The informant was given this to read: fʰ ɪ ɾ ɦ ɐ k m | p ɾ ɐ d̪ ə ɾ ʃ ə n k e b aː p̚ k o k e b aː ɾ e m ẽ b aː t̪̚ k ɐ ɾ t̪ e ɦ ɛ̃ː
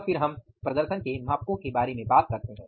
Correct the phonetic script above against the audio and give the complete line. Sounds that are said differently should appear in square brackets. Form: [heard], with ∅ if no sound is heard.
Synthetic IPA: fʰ ɪ ɾ ɦ ɐ [∅] m | p ɾ ɐ d̪ ə ɾ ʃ ə n k e [m] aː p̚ k [õ] k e b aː ɾ e m ẽ b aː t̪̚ k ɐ ɾ t̪ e ɦ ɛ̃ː